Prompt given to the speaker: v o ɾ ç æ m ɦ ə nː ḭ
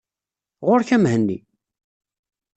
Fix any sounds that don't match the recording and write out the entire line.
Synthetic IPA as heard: ʁ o ɾ ç æ m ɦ ə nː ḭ